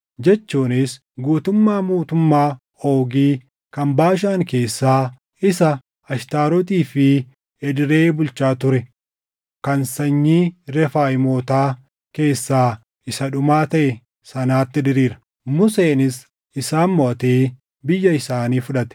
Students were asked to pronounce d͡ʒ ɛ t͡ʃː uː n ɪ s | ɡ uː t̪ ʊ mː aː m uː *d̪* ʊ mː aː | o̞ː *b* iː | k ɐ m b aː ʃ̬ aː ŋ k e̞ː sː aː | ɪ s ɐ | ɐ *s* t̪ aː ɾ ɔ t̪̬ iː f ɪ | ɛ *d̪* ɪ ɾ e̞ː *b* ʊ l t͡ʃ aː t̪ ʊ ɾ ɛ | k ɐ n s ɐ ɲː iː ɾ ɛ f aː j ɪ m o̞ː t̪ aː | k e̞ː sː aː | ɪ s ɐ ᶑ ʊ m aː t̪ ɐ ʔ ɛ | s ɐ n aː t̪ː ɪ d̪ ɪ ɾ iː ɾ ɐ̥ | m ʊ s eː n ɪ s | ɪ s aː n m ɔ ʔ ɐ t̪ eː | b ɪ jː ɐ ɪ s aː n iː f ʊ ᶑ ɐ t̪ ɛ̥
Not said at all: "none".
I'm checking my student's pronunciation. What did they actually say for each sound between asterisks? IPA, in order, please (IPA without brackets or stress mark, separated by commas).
t̪, ɡ, ʃ, d̪, b